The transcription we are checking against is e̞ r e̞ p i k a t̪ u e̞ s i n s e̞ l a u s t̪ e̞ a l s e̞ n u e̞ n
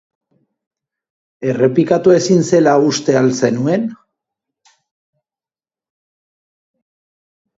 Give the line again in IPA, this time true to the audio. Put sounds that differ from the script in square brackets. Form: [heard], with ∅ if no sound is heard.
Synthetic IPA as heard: e̞ r e̞ p i k a t̪ u e̞ s i n s e̞ l a u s t̪ e̞ a l s e̞ n u e̞ n